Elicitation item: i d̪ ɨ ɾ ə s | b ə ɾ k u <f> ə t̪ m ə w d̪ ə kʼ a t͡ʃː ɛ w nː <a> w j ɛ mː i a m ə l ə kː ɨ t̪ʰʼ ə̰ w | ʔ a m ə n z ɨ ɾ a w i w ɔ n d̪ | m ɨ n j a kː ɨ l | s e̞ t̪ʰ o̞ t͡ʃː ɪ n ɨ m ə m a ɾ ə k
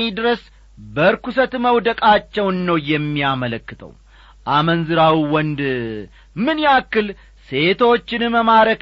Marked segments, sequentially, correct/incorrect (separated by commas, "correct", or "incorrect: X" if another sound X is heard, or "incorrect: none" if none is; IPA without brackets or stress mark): incorrect: s, incorrect: ə